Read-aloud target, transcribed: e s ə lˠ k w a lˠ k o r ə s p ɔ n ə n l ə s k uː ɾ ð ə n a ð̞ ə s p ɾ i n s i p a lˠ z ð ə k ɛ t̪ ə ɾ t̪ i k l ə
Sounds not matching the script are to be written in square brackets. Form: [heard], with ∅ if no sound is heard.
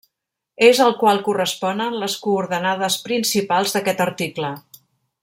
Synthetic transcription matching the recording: e [z] ə lˠ k w a lˠ k [u] r ə s p ɔ n ə n l ə s k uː ɾ ð ə n a ð̞ ə s p ɾ i n s i p a lˠ z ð ə k ɛ t̪ ə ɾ t̪ i k l ə